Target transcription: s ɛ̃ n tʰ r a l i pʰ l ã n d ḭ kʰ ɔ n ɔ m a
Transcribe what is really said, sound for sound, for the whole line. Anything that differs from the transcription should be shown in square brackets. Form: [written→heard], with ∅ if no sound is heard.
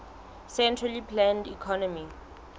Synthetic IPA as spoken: s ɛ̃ n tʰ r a l i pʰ l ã n d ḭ kʰ ɔ n ɔ m [a→i]